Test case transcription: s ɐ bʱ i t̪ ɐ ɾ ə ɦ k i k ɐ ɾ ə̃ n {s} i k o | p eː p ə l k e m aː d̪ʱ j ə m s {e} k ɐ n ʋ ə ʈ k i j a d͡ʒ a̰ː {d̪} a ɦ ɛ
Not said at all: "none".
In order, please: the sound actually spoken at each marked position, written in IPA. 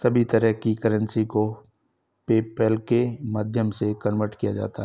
s, e, t̪

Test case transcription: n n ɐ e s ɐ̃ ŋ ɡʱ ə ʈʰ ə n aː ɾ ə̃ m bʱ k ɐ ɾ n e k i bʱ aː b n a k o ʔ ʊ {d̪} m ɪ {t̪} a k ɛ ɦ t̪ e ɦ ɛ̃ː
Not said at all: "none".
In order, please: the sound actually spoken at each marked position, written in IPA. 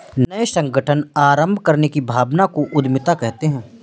d̪, t̪

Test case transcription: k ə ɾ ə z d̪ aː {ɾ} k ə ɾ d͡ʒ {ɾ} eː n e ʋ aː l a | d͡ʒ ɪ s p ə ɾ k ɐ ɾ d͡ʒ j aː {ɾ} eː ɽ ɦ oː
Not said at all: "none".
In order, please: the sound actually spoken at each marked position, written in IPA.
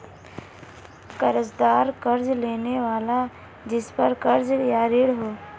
ɾ, l, ɾ

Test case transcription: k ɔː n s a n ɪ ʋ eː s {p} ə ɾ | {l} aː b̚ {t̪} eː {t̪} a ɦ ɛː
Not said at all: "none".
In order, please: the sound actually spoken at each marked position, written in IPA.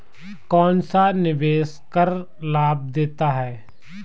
k, l, d̪, t̪

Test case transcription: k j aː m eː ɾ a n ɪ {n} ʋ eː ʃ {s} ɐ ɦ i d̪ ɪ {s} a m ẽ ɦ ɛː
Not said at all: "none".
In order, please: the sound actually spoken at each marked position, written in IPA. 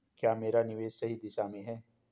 none, s, ʃ

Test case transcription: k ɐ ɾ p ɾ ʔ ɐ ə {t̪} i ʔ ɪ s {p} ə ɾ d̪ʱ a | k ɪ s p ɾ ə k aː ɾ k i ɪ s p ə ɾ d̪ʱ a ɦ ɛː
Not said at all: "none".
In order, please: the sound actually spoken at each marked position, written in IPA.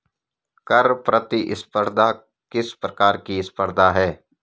t̪, p

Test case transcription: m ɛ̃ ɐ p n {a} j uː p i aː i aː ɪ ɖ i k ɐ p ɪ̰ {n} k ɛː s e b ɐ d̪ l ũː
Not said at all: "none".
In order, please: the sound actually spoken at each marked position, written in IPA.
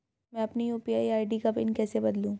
i, n

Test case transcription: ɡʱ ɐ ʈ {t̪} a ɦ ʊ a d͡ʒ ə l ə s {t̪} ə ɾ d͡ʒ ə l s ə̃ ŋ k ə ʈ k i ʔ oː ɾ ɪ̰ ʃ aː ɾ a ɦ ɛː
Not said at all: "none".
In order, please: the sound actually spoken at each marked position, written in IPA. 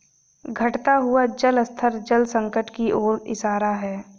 t̪, t̪ʰ

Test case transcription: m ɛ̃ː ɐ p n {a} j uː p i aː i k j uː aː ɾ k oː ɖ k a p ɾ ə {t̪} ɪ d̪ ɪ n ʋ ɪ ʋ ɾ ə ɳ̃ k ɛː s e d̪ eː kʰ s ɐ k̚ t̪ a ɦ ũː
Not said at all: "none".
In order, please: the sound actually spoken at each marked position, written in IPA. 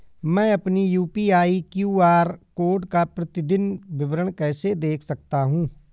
i, t̪

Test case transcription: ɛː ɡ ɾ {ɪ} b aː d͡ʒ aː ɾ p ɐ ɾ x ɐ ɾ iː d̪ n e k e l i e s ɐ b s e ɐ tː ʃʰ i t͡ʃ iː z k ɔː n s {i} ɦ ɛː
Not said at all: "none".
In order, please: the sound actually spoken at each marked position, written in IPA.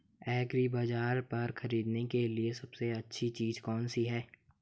i, i

